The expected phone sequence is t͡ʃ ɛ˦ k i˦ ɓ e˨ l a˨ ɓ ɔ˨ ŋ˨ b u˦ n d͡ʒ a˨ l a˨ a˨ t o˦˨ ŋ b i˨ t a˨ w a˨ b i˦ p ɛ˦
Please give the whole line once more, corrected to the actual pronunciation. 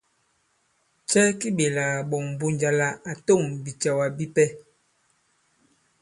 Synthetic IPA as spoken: t͡ʃ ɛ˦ k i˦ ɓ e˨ l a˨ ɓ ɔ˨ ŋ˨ b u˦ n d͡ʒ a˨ l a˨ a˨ t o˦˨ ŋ b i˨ t͡ʃ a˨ w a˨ b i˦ p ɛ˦